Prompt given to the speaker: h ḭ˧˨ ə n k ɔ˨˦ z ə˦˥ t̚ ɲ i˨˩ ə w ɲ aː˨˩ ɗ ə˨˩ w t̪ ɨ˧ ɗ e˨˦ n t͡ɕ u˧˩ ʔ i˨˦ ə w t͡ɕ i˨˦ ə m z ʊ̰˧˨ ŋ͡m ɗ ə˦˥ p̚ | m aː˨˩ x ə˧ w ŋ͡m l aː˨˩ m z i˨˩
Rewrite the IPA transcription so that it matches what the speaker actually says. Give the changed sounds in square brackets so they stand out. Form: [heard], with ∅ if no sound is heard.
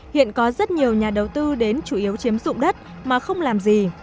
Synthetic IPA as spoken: h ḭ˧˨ ə n k ɔ˨˦ z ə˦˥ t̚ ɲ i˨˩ ə w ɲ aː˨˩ ɗ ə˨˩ w t̪ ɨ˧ ɗ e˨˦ n t͡ɕ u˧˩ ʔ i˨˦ ə w t͡ɕ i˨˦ ə m z ʊ̰˧˨ ŋ͡m ɗ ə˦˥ [t̚] | m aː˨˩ x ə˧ w ŋ͡m l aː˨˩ m z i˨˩